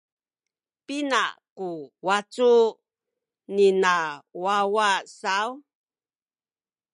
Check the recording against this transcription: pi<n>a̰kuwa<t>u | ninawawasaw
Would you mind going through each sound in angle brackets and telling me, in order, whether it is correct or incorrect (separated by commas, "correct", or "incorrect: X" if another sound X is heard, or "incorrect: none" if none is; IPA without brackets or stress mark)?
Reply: correct, incorrect: t͡s